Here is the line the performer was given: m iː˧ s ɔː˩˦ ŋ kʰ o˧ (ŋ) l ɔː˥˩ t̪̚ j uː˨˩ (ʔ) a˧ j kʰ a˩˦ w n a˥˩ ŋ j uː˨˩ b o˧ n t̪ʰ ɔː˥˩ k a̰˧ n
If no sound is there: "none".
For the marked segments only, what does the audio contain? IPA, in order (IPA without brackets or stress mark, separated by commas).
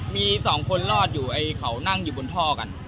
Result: n, ʔ